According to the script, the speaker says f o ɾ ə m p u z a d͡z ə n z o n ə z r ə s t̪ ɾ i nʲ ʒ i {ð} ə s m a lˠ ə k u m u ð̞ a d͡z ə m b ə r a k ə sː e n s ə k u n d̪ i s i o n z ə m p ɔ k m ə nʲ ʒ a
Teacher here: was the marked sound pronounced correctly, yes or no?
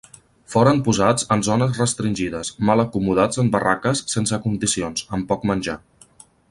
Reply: yes